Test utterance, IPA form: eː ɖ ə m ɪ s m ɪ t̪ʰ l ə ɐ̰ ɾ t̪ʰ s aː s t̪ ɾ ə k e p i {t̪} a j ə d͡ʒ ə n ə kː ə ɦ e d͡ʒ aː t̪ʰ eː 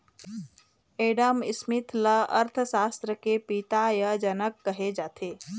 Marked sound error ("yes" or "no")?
no